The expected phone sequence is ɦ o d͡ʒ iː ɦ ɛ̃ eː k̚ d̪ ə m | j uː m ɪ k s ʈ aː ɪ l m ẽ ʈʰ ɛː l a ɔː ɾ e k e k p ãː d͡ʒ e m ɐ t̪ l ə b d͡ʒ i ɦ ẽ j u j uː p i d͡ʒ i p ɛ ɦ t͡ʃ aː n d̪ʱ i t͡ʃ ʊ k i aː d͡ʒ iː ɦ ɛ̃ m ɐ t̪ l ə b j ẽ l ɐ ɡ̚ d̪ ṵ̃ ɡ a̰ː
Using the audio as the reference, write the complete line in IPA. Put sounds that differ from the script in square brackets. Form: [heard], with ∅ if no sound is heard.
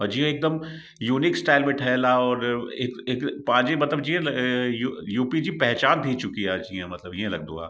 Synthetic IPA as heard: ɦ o d͡ʒ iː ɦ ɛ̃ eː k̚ d̪ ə m | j uː [n] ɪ k s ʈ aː ɪ l m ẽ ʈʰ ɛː l a ɔː ɾ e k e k p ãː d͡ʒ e m ɐ t̪ l ə b d͡ʒ i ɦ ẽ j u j uː p i d͡ʒ i p ɛ ɦ t͡ʃ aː n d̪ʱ i t͡ʃ ʊ k i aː d͡ʒ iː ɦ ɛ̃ m ɐ t̪ l ə b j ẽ l ɐ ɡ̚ d̪ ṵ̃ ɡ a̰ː